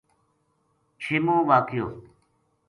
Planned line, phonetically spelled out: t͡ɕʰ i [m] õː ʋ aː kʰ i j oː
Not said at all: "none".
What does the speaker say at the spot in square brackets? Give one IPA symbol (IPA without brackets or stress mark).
m